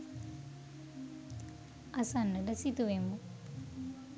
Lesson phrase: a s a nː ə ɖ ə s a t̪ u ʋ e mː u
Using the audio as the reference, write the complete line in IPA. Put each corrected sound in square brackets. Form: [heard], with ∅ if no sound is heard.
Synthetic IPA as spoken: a s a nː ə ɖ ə s [i] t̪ u ʋ e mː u